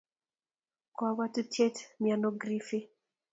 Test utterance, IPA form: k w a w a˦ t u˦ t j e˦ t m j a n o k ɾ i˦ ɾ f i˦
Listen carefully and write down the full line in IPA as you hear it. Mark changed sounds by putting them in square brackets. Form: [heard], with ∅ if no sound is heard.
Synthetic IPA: k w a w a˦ t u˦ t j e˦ t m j a n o [ɡ] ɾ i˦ [∅] f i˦